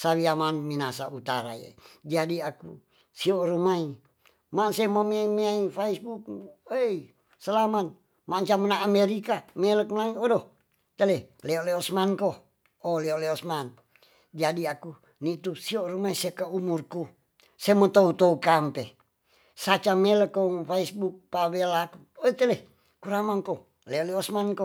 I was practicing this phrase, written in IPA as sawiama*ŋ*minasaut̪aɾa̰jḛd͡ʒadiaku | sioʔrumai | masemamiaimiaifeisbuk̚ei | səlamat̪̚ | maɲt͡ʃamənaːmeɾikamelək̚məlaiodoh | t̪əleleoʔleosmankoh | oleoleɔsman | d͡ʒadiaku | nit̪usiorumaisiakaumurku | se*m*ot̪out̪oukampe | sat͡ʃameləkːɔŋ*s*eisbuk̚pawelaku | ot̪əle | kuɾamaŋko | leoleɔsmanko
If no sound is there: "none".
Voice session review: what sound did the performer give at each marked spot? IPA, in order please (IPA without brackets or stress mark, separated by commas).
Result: n, m, f